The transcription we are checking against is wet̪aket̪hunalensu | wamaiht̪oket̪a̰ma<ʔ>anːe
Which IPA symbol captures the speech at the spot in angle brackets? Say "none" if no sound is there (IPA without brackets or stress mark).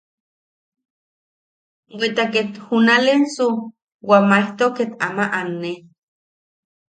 ʔ